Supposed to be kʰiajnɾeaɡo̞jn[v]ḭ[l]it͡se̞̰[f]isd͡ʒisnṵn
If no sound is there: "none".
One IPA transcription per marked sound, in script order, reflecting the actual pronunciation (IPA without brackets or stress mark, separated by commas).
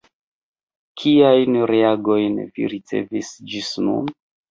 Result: v, ɾ, v